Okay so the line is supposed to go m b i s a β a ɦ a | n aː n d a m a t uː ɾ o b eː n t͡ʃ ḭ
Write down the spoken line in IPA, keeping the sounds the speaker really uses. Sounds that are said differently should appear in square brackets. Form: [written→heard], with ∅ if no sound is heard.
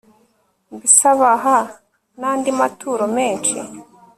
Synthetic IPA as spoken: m b i s a β a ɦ a | n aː n d [a→i] m a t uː ɾ o [b→m] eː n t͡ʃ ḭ